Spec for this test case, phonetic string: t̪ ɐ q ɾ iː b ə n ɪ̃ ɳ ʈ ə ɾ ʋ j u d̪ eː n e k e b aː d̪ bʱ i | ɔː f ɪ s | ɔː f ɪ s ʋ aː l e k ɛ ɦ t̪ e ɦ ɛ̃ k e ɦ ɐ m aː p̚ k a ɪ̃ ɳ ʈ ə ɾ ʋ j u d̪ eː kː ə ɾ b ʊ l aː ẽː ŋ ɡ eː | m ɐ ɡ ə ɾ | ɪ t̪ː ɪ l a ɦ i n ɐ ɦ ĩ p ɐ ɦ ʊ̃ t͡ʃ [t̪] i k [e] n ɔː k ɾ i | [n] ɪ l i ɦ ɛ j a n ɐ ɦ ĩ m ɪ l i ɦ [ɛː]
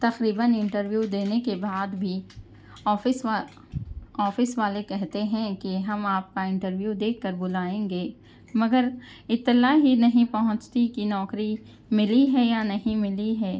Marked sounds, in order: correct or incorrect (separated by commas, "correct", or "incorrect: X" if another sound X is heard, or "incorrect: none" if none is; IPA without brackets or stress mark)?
correct, incorrect: i, incorrect: m, correct